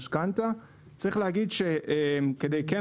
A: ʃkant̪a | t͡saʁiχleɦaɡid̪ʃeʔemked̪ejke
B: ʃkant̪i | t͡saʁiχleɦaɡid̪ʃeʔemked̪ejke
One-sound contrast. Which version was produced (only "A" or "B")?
A